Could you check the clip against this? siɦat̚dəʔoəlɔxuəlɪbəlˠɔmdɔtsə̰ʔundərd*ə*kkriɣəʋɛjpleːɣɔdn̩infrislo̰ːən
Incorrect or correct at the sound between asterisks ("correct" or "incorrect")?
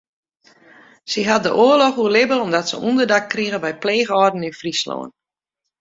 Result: incorrect